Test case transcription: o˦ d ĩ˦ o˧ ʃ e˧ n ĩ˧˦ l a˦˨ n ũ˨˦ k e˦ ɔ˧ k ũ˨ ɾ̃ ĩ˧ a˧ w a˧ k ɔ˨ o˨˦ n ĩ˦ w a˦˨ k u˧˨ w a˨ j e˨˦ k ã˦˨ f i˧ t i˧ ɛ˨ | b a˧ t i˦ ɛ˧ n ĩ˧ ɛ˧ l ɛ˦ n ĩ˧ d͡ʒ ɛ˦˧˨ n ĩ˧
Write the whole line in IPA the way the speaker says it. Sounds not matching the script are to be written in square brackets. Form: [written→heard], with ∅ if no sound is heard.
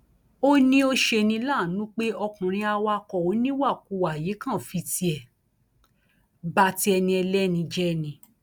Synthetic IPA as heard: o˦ [d→n] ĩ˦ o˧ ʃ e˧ n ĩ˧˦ l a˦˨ n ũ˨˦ [k→k͡p] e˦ ɔ˧ k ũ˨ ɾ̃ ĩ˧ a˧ w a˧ k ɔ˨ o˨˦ n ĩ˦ w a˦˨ k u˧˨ w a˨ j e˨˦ k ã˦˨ f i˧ t i˧ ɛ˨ | b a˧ t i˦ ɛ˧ n ĩ˧ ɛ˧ l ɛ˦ n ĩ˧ d͡ʒ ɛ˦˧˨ n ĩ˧

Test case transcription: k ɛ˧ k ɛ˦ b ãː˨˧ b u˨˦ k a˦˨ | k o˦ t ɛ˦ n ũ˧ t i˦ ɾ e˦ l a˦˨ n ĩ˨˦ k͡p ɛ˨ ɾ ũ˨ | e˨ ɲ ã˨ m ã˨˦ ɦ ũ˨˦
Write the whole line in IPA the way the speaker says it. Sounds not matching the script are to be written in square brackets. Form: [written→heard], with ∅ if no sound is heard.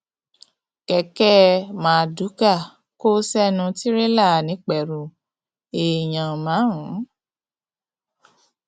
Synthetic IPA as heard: k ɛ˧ k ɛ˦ [b→m] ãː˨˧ [b→d] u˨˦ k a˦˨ | k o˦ [t→s] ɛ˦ n ũ˧ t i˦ ɾ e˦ l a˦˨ n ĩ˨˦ k͡p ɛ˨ ɾ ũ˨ | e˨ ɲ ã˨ m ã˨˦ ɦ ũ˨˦

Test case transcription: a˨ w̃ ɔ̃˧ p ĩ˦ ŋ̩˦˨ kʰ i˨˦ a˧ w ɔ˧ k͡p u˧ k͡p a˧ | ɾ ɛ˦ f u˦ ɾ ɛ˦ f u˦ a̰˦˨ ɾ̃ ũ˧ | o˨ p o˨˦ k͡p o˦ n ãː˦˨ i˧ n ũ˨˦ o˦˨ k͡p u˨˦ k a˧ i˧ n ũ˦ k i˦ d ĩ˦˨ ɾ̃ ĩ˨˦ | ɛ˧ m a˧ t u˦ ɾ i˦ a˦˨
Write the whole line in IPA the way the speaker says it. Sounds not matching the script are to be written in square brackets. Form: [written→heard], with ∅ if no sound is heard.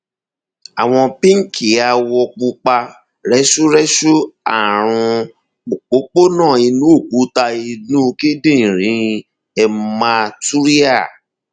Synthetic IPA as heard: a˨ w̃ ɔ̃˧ p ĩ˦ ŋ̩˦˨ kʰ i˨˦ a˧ w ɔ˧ k͡p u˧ k͡p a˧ | ɾ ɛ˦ [f→ʃ] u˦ ɾ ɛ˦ [f→ʃ] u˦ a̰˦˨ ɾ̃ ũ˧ | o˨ [p→k͡p] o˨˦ k͡p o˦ n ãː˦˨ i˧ n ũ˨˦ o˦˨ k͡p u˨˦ [k→t] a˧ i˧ n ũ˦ k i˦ d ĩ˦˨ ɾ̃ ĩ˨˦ | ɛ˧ m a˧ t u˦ ɾ i˦ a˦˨

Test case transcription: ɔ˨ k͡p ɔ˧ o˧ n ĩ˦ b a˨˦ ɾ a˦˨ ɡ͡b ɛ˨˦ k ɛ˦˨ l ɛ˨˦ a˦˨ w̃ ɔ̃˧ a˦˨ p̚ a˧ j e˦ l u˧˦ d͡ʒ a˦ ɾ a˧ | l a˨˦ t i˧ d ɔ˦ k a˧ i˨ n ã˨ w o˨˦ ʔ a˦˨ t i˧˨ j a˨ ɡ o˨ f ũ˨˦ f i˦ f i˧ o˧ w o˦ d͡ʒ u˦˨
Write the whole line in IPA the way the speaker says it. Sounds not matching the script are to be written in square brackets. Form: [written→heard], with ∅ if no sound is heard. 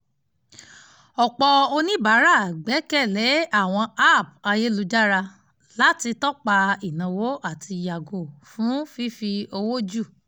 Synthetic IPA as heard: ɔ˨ k͡p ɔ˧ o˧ n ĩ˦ b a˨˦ ɾ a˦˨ ɡ͡b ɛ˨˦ k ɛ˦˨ l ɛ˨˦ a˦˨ w̃ ɔ̃˧ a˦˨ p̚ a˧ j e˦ l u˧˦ d͡ʒ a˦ ɾ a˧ | l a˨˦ t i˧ [d→t] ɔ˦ [k→k͡p] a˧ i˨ n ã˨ w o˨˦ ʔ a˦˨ t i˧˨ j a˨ ɡ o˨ f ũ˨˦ f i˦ f i˧ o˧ w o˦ d͡ʒ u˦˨

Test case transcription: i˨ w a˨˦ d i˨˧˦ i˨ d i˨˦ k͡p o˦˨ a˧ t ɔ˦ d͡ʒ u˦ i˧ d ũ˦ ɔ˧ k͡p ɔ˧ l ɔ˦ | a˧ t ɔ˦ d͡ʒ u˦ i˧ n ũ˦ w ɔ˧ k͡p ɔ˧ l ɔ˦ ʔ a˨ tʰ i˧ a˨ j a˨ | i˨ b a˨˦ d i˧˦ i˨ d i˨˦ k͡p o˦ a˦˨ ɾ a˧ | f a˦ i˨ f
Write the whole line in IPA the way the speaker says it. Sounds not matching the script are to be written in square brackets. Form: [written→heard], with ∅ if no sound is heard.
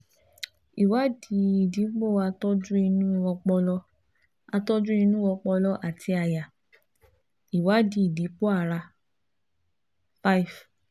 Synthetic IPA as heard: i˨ w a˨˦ d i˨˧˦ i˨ d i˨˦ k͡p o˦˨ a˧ t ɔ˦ d͡ʒ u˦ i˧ [d→n] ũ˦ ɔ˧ k͡p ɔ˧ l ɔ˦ | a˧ t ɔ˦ d͡ʒ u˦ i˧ n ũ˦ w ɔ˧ k͡p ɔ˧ l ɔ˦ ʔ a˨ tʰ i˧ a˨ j a˨ | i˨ [b→w] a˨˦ d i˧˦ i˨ d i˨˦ k͡p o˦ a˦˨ ɾ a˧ | f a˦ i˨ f

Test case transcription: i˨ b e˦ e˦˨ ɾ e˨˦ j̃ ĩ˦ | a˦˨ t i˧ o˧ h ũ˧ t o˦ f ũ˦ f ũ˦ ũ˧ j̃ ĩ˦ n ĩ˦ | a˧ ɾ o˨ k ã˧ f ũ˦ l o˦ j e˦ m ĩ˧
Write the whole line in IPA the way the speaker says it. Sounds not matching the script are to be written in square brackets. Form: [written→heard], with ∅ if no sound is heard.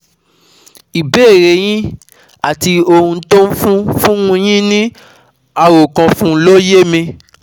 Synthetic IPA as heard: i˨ b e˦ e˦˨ ɾ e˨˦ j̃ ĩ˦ | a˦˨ t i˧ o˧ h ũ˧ t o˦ f ũ˦ f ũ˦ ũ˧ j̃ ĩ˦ n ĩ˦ | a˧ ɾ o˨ k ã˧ f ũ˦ l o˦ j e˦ m ĩ˧

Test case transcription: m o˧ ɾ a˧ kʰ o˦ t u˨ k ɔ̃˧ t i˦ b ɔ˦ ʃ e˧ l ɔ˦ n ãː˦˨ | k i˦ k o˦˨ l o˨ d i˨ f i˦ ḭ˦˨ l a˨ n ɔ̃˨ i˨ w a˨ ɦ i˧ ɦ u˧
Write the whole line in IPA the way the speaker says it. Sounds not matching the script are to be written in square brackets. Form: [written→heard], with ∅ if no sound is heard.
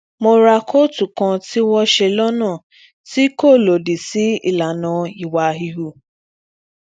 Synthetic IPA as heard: m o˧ ɾ a˧ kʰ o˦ t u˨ k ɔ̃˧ t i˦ [b→w] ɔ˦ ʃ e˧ l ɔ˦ n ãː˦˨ | [k→t] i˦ k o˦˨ l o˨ d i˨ [f→s] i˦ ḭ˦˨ l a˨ n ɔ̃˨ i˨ w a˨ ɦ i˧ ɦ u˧

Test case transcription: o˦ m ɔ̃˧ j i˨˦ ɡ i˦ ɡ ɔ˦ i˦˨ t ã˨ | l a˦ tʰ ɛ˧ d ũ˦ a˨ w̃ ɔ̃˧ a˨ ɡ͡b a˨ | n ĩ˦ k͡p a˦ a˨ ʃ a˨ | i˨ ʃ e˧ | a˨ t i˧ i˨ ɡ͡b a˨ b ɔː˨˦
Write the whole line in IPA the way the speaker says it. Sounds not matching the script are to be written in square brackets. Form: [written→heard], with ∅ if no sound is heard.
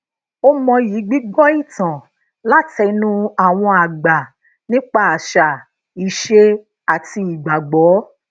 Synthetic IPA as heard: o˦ m ɔ̃˧ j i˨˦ [ɡ→ɡ͡b] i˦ ɡ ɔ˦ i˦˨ t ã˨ | l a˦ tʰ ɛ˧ [d→n] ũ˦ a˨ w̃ ɔ̃˧ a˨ ɡ͡b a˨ | n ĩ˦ k͡p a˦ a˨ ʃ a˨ | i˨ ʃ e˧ | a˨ t i˧ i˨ ɡ͡b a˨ [b→ɡ͡b] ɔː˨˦

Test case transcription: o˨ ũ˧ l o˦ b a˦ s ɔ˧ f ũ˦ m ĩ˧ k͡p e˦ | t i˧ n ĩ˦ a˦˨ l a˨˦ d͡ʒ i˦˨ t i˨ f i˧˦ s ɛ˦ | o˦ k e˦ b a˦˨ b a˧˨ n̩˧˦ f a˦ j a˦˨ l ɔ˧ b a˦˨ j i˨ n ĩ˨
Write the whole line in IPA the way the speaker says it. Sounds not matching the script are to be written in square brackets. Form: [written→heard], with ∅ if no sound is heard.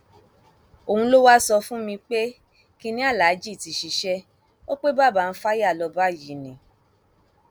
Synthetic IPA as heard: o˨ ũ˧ l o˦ [b→w] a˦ s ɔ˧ f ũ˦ m ĩ˧ k͡p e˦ | [t→k] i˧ n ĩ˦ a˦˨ l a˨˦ d͡ʒ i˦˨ t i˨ [f→ʃ] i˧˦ [s→ʃ] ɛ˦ | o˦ [k→k͡p] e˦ b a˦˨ b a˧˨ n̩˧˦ f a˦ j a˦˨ l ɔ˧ b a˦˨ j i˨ n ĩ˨

